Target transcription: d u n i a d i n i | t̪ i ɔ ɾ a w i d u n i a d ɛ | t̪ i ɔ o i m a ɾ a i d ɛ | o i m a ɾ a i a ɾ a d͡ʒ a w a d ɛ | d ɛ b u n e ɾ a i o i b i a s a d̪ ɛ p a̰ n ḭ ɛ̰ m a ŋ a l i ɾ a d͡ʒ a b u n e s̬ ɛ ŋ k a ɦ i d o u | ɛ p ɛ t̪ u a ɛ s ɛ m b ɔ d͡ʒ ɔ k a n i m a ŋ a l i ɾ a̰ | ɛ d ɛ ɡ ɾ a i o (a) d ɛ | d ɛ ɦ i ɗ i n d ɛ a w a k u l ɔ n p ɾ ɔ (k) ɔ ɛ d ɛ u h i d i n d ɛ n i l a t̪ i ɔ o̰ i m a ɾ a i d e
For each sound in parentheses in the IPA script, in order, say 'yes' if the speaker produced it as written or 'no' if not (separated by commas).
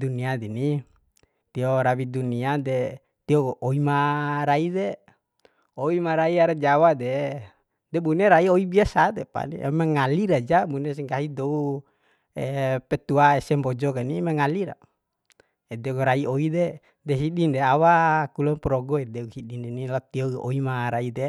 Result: no, no